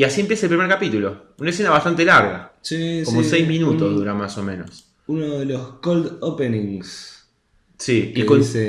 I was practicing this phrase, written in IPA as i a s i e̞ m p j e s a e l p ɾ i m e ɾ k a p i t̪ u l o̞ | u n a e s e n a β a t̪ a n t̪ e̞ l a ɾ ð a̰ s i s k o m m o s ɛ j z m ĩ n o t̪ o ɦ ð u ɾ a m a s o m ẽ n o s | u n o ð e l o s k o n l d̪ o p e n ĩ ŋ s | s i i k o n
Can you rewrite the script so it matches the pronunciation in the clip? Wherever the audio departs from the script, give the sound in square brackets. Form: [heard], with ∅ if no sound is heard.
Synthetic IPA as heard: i a s i e̞ m p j e s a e l p ɾ i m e ɾ k a p i t̪ u l o̞ | u n a e s e n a β a t̪ a n t̪ e̞ l a ɾ [ɣ] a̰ s i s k o m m o s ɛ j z m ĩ n [u] t̪ o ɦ ð u ɾ a m a s o m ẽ n o s | u n o ð e l o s k o [∅] l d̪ o p e n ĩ ŋ s | s i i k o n

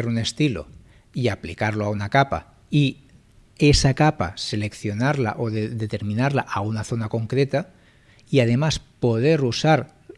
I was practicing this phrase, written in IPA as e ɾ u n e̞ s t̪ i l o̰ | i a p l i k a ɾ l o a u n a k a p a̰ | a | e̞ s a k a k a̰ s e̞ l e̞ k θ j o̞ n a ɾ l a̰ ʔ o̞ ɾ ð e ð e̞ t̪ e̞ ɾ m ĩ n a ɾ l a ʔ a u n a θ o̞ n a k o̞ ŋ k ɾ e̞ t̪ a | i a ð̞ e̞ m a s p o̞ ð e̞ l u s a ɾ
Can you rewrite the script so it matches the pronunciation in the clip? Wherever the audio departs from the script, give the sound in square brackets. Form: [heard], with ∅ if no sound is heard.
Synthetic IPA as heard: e ɾ u n e̞ s t̪ i l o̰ | i a p l i k a ɾ l o a u n a k a p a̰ | [i] | e̞ s a k a [p] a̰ s e̞ l e̞ k θ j o̞ n a ɾ l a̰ ʔ o̞ [∅] ð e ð e̞ t̪ e̞ ɾ m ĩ n a ɾ l a ʔ a u n a θ o̞ n a k o̞ ŋ k ɾ e̞ t̪ a | i a ð̞ e̞ m a s p o̞ ð e̞ [ɾ] u s a ɾ

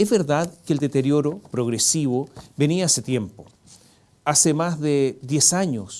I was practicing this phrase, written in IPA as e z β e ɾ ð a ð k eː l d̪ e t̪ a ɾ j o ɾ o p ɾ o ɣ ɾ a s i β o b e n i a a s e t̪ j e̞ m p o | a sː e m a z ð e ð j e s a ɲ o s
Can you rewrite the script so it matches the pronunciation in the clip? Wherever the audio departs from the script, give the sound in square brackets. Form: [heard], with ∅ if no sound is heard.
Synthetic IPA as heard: e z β e ɾ ð a ð k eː l d̪ e t̪ [e] ɾ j o ɾ o p ɾ o ɣ ɾ [e] s i β o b e n i a a s e t̪ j e̞ m p o | a [s] e m a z ð e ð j e s a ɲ o s

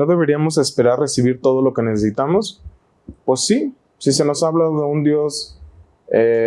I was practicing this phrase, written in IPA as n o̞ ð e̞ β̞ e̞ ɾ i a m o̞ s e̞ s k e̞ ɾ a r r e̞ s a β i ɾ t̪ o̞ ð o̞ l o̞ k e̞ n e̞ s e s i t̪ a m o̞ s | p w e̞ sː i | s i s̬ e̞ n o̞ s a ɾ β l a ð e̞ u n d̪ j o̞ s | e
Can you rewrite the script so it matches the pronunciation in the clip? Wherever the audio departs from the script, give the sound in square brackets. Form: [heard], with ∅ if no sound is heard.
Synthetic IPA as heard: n o̞ ð e̞ β̞ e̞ ɾ i a m o̞ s e̞ s [p] e̞ ɾ a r r e̞ s [i] β i ɾ t̪ o̞ ð o̞ l o̞ k e̞ n e̞ s e s i t̪ a m o̞ s | p w e̞ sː i | s i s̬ e̞ n o̞ s a [∅] β l a ð e̞ u n d̪ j o̞ s | e

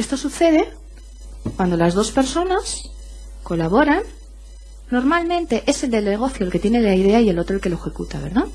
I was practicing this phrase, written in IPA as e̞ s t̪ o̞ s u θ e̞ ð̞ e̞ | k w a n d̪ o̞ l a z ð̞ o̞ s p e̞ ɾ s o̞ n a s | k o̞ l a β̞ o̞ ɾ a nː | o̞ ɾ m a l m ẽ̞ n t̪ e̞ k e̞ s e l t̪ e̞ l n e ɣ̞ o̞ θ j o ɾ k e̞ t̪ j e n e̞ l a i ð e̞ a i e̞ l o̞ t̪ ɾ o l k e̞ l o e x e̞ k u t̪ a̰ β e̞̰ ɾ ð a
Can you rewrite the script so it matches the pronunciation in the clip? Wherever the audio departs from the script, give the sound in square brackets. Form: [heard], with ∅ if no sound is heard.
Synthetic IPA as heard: e̞ s t̪ o̞ s u θ e̞ ð̞ e̞ | k w a n d̪ o̞ l a z ð̞ o̞ s p e̞ ɾ s o̞ n a s | k o̞ l a β̞ o̞ ɾ a nː | o̞ ɾ m a l m ẽ̞ n t̪ e̞ [ʔ] e̞ s e l [d̪] e̞ l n e ɣ̞ o̞ θ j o [l] k e̞ t̪ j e n e̞ l a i ð e̞ a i e̞ l o̞ t̪ ɾ o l k e̞ l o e x e̞ k u t̪ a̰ β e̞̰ ɾ ð a

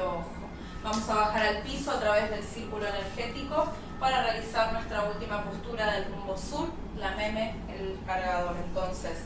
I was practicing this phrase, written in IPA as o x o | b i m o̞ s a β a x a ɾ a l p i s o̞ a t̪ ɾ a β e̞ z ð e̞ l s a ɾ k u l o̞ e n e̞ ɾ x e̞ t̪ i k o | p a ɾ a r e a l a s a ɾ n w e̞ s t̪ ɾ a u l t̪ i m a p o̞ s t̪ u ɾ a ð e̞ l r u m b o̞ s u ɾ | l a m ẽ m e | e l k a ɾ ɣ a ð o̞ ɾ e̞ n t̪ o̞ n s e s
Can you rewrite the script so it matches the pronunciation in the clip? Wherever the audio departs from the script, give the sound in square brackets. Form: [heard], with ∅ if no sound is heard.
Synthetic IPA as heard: o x o | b [a] m o̞ s a β a x a ɾ a l p i s o̞ a t̪ ɾ a β e̞ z ð e̞ l s [i] ɾ k u l o̞ e n e̞ ɾ x e̞ t̪ i k o | p a ɾ a r e a l [i] s a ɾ n w e̞ s t̪ ɾ a u l t̪ i m a p o̞ s t̪ u ɾ a ð e̞ l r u m b o̞ s u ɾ | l a m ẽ m e | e l k a ɾ ɣ a ð o̞ ɾ e̞ n t̪ o̞ n s e s

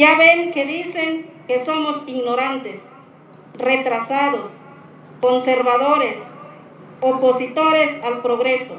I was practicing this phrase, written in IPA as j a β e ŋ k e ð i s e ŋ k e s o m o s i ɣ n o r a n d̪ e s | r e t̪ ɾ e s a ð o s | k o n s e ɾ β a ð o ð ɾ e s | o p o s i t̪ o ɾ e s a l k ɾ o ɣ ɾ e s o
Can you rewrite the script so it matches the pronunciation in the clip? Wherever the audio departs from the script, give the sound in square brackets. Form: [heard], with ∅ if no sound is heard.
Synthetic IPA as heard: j a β e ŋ k e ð i s e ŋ k e s o m o s i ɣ n o [ɾ] a n [t̪] e s | r e t̪ ɾ [a] s a ð o s | k o n s e ɾ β a ð o [∅] ɾ e s | o p o s i t̪ o ɾ e s a l [p] ɾ o ɣ ɾ e s o

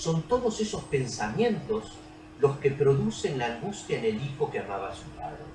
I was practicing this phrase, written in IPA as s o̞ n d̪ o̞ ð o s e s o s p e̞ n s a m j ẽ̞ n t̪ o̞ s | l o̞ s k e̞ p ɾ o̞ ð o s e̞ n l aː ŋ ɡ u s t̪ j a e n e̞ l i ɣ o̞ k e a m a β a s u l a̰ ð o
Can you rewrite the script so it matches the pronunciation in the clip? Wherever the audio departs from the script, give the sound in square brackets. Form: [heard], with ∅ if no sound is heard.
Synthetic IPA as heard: s o̞ n [t̪] o̞ ð o s e s o s p e̞ n s a m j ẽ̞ n t̪ o̞ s | l o̞ s k e̞ p ɾ o̞ ð [u] s e̞ n l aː ŋ ɡ u s t̪ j a e n e̞ l i [x] o̞ k e a m a β a s u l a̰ ð o

